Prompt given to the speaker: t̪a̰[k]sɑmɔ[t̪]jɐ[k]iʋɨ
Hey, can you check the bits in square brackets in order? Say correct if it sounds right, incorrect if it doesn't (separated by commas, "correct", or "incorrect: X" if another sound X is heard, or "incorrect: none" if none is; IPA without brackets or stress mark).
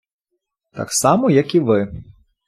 correct, incorrect: none, correct